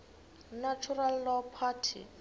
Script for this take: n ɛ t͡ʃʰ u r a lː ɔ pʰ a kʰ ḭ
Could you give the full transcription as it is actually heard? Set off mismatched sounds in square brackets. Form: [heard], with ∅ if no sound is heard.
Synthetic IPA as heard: n [a] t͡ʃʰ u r a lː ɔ pʰ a [tʰ] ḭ